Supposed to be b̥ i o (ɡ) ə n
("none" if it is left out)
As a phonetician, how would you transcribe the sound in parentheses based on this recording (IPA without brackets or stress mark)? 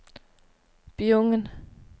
ŋ